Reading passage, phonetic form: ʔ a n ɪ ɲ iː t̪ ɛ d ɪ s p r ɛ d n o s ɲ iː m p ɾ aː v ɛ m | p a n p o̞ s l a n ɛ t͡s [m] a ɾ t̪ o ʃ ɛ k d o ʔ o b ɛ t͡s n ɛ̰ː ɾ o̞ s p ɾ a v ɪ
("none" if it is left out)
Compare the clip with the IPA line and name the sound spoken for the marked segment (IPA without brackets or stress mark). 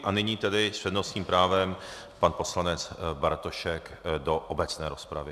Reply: b